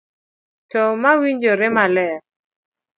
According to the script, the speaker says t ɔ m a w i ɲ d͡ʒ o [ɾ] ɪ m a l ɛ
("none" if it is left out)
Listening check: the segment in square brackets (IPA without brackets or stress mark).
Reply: ɾ